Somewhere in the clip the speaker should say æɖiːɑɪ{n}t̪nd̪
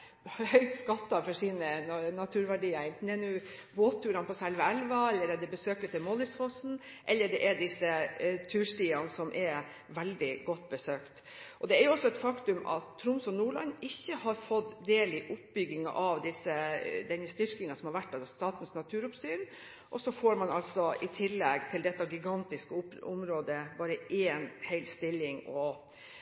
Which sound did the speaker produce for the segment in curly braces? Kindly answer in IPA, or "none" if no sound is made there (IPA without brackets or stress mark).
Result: n